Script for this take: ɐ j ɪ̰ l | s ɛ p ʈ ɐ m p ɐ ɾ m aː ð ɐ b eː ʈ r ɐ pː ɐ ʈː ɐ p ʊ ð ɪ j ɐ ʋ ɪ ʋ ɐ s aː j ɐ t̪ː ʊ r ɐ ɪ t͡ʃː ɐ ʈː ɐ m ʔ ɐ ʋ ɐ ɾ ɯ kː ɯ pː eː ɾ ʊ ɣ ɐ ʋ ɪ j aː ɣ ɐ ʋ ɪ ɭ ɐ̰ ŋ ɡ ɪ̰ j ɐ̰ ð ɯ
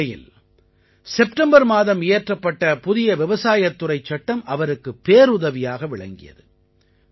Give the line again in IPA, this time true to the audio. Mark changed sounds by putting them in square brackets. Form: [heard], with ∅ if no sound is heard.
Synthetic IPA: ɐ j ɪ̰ l | s ɛ p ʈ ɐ m [b] ɐ ɾ m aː ð ɐ [m] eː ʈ r ɐ pː ɐ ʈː ɐ p ʊ ð ɪ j ɐ ʋ ɪ ʋ ɐ s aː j ɐ t̪ː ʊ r ɐ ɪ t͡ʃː ɐ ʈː ɐ m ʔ ɐ ʋ ɐ ɾ ɯ kː ɯ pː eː ɾ ʊ [ð] ɐ ʋ ɪ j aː ɣ ɐ ʋ ɪ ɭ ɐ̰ ŋ ɡ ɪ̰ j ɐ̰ ð ɯ

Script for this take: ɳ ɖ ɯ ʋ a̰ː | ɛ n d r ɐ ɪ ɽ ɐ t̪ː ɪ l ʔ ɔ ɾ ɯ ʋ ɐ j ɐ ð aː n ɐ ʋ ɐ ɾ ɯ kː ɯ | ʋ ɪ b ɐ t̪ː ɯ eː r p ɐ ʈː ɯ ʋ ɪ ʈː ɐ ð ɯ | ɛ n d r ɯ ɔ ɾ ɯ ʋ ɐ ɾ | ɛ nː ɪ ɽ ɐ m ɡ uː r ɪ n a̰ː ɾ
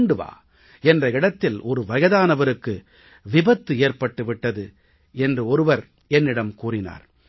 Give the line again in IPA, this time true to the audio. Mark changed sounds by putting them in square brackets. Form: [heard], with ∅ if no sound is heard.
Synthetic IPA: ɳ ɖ ɯ ʋ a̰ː | ɛ n d r ɐ ɪ ɽ ɐ t̪ː ɪ l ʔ ɔ ɾ ɯ ʋ ɐ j ɐ ð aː n ɐ ʋ ɐ ɾ ɯ kː ɯ | ʋ ɪ b ɐ t̪ː ɯ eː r p ɐ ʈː ɯ ʋ ɪ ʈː ɐ ð ɯ | ɛ n d r ɯ ɔ ɾ ɯ ʋ ɐ ɾ | ɛ nː ɪ ɽ ɐ m [k] uː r ɪ n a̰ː ɾ

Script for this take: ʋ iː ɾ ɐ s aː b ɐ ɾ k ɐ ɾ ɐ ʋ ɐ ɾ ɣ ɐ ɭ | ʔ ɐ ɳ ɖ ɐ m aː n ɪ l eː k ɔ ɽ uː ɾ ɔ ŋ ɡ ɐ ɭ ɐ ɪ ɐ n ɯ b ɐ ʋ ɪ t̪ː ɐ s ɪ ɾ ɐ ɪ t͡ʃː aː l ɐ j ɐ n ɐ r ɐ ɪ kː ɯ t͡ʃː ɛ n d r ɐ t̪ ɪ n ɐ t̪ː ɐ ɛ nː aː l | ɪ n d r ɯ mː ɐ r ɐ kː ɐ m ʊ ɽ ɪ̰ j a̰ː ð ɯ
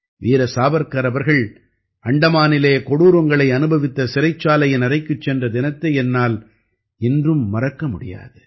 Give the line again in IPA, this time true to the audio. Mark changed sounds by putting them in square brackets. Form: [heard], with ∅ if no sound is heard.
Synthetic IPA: ʋ iː ɾ ɐ s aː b ɐ ɾ k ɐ ɾ ɐ ʋ ɐ ɾ ɣ ɐ ɭ | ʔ ɐ ɳ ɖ ɐ m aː n ɪ l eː k ɔ ɽ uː ɾ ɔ ŋ ɡ ɐ ɭ ɐ ɪ ɐ n ɯ b ɐ ʋ ɪ t̪ː ɐ s ɪ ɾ ɐ ɪ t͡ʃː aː l ɐ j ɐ n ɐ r ɐ ɪ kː ɯ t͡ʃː ɛ n d r ɐ [d̪] ɪ n ɐ t̪ː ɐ ɛ nː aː l | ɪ n d r ɯ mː ɐ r ɐ kː ɐ m ʊ ɽ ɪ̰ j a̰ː ð ɯ

